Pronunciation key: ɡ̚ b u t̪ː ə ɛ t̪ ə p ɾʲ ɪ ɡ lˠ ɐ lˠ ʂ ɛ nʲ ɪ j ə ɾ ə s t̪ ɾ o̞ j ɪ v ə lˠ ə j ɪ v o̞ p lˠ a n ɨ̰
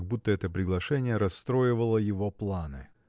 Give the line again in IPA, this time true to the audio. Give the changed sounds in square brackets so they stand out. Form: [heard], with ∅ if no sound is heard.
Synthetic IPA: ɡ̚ b u t̪ː ə ɛ t̪ ə p ɾʲ ɪ ɡ lˠ ɐ [∅] ʂ ɛ nʲ ɪ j ə ɾ [ɐ] s t̪ ɾ o̞ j ɪ v ə lˠ ə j ɪ v o̞ p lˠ a n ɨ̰